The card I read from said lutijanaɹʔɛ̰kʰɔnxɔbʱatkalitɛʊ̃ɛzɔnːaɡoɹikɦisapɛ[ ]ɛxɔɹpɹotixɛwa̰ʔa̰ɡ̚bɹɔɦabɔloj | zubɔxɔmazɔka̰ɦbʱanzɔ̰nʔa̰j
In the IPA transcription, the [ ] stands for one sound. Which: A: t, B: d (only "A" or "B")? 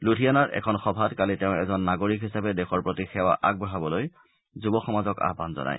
B